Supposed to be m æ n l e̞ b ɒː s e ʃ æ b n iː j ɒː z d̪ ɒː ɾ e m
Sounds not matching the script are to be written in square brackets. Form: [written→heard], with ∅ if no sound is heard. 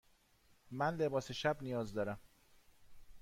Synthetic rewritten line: m æ n l e̞ b ɒː s e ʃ æ b n [iː→i] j ɒː z d̪ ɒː ɾ [e→æ] m